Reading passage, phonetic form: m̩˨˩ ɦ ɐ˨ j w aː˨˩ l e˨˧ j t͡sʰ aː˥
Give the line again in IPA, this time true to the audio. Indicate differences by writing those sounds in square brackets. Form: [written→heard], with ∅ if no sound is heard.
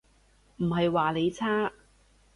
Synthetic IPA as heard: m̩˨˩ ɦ ɐ˨ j w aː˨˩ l e˨˧ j t͡sʰ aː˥